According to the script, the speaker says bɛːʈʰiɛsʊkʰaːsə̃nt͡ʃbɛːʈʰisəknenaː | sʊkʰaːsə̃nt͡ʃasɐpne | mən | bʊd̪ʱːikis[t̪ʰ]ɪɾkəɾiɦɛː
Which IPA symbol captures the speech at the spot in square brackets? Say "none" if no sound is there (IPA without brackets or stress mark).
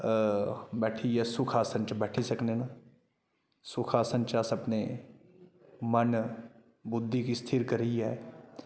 t̪ʰ